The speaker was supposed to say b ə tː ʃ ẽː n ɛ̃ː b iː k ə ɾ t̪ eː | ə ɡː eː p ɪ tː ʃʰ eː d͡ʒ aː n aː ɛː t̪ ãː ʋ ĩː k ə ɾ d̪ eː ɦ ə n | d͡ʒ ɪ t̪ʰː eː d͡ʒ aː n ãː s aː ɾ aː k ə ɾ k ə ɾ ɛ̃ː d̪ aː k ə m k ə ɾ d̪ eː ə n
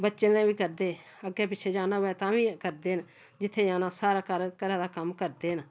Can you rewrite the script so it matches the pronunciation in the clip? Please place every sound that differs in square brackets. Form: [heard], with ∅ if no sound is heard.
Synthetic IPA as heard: b ə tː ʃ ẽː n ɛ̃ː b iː k ə ɾ [d̪] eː | ə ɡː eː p ɪ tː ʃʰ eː d͡ʒ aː n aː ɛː t̪ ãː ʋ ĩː k ə ɾ d̪ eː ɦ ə n | d͡ʒ ɪ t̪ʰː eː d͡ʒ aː n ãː s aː ɾ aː k ə ɾ k ə ɾ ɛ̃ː d̪ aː k ə m k ə ɾ d̪ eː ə n